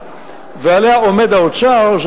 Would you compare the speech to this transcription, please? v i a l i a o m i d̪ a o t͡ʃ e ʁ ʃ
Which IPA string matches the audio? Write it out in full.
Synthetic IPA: v e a l e a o m e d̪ a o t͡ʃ a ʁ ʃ